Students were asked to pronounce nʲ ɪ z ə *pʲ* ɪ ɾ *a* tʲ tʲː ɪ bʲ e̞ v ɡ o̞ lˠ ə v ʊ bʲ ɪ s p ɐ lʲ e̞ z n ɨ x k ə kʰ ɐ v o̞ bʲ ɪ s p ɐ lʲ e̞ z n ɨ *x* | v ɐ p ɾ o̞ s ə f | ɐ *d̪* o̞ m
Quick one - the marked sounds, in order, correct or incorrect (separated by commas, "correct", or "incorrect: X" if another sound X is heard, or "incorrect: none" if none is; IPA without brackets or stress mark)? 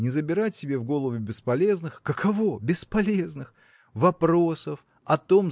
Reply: incorrect: bʲ, correct, correct, incorrect: t̪